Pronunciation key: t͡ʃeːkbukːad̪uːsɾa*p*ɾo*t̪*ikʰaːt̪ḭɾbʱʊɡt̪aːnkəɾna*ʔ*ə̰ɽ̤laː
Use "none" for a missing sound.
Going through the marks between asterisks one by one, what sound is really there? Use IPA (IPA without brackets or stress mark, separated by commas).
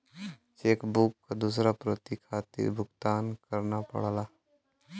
p, t̪, p